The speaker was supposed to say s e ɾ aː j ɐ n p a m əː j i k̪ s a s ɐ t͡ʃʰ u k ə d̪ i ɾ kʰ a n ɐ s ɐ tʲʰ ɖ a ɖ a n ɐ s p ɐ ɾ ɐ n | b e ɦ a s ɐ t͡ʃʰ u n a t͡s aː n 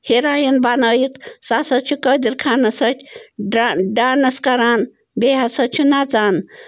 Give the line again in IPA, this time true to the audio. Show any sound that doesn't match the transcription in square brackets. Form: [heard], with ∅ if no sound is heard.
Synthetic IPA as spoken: [h] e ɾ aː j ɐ n [b] a [n] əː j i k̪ s a s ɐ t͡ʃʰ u k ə d̪ i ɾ kʰ a n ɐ s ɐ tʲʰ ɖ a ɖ a n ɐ s [k] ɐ ɾ [a] n | b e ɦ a s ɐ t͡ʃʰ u n a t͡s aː n